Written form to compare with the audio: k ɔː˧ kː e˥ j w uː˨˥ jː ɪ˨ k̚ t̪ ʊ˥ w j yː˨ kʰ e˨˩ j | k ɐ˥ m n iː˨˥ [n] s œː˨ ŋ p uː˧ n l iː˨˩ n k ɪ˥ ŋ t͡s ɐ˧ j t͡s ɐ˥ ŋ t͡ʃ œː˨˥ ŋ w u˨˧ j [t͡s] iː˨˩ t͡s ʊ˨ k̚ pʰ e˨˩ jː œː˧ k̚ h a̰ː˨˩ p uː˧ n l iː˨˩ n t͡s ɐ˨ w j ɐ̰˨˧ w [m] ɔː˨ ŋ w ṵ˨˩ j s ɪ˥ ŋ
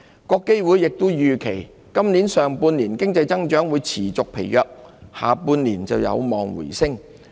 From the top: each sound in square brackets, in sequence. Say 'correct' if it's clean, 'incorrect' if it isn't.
correct, incorrect: t͡sʰ, correct

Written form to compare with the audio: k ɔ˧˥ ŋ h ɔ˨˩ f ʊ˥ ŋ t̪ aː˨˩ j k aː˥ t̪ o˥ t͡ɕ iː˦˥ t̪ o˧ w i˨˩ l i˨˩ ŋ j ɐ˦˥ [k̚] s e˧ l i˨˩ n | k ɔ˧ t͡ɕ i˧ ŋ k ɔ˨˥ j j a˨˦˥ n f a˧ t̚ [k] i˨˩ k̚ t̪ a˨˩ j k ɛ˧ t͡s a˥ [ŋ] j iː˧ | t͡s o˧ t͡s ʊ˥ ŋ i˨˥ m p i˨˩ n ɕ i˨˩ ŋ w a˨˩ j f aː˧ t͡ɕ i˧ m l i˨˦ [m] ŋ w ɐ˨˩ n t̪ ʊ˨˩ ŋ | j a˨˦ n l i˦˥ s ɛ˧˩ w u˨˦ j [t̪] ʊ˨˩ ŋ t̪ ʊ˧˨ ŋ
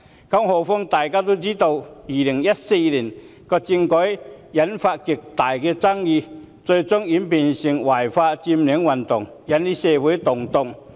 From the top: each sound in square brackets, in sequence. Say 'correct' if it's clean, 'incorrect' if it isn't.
incorrect: t̚, correct, correct, incorrect: none, correct

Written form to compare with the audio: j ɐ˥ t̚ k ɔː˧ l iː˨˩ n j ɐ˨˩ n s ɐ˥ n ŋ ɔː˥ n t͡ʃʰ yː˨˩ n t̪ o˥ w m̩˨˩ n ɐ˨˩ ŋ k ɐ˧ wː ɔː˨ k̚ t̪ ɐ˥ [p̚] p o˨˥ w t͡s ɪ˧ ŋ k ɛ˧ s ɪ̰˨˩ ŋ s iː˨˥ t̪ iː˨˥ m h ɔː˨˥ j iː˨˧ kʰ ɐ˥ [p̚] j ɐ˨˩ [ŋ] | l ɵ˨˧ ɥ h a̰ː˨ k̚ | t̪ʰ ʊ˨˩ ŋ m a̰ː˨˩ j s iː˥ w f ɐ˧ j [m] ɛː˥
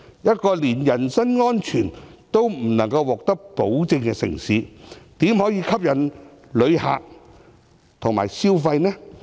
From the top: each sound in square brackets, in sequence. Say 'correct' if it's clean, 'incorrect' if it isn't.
incorrect: k̚, correct, incorrect: n, incorrect: n

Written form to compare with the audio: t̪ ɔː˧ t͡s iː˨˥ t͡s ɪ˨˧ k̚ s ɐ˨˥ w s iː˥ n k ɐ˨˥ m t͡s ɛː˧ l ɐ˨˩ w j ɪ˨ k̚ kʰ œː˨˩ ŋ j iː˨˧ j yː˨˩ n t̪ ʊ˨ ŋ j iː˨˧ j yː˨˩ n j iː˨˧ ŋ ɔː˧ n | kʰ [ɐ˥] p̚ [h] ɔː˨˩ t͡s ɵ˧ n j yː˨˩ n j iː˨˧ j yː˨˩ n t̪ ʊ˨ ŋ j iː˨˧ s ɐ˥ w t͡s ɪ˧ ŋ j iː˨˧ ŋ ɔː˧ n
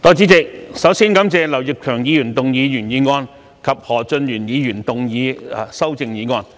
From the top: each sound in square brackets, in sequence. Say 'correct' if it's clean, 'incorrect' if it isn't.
incorrect: ɐ˨, correct

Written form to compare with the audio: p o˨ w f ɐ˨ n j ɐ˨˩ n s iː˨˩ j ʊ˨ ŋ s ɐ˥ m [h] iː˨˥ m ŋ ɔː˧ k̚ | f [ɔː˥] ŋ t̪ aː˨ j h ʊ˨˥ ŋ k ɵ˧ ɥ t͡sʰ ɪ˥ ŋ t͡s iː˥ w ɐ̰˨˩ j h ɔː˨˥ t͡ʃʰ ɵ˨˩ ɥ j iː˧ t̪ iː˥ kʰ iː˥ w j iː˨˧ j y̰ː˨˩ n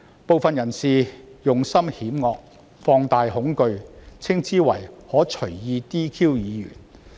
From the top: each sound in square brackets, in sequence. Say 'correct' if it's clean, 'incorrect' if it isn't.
correct, incorrect: ɔː˧

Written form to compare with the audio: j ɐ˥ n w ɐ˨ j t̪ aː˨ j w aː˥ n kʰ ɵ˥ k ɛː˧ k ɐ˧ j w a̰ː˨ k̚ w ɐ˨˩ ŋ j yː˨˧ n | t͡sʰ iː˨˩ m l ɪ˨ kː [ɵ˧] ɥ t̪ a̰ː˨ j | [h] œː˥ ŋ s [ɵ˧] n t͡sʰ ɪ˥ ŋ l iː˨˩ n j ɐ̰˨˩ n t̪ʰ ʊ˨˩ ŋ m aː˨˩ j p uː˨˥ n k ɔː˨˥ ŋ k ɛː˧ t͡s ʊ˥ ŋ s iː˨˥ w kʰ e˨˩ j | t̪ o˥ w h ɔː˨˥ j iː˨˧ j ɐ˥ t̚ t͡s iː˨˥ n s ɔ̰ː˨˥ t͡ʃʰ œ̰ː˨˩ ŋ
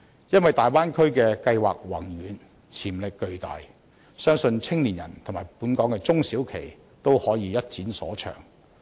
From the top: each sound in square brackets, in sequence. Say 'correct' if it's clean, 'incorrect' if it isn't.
correct, incorrect: s, correct

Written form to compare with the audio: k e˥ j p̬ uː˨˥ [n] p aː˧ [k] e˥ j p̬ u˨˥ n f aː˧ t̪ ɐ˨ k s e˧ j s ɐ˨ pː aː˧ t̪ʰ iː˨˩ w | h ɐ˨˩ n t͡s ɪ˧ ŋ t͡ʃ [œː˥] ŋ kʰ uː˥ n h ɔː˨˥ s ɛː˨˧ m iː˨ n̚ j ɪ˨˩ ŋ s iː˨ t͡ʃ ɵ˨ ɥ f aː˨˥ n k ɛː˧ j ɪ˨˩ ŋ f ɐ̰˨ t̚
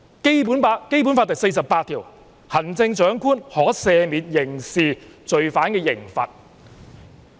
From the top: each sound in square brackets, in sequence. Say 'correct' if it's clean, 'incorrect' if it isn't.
correct, correct, incorrect: œː˨˥

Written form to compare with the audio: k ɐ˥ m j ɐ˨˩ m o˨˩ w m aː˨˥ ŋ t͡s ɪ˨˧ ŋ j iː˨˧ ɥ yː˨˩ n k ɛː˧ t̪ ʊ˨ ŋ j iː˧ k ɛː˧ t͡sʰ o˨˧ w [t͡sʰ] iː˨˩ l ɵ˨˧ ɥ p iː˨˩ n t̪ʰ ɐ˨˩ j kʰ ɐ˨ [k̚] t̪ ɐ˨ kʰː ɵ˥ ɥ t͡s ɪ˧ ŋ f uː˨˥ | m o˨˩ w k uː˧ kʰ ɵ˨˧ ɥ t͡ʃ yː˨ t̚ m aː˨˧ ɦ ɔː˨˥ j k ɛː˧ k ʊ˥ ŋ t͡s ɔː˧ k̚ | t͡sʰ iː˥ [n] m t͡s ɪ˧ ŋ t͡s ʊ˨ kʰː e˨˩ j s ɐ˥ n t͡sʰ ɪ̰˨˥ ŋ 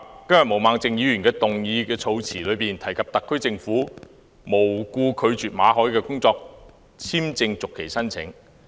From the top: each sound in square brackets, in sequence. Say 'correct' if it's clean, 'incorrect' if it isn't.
correct, incorrect: p̚, incorrect: none

